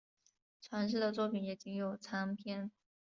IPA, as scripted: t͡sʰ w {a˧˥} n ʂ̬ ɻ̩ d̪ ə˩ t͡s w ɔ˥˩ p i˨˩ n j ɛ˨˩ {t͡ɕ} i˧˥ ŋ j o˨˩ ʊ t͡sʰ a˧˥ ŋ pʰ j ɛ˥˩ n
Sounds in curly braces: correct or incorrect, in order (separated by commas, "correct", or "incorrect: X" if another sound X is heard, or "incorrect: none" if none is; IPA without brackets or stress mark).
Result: correct, correct